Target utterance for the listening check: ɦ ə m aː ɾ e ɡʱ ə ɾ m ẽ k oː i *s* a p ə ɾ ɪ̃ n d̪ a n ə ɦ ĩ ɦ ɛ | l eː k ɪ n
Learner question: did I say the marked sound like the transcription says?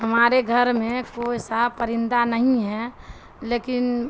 yes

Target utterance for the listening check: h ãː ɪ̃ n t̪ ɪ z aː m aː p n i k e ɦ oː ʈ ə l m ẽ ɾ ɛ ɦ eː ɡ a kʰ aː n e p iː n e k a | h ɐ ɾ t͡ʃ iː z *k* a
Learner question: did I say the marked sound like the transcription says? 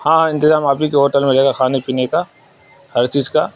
yes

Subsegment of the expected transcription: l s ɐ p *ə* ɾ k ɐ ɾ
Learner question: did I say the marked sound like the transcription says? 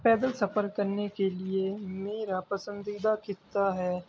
yes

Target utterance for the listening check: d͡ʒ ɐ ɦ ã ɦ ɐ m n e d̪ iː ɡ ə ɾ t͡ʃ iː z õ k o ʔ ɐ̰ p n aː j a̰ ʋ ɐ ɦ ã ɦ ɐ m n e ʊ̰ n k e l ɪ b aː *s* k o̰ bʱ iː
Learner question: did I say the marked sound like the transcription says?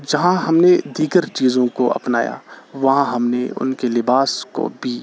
yes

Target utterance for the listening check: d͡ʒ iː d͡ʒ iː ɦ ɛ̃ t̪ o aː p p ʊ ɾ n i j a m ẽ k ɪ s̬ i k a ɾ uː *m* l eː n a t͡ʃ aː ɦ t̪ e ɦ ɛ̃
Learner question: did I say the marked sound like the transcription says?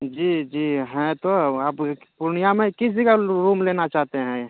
yes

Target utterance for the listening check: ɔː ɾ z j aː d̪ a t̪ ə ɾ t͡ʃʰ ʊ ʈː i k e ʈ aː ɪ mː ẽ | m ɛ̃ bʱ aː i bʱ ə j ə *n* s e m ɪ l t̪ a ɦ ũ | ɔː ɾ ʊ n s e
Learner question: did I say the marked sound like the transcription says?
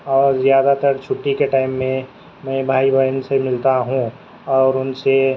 yes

